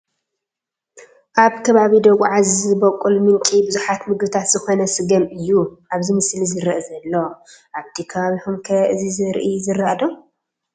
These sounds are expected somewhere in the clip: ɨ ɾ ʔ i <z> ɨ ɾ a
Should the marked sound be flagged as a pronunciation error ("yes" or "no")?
no